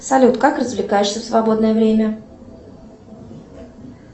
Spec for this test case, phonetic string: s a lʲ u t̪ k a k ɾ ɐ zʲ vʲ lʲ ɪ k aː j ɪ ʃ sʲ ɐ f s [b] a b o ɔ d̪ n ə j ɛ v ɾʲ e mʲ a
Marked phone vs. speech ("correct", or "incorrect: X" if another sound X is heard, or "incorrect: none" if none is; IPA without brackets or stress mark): incorrect: v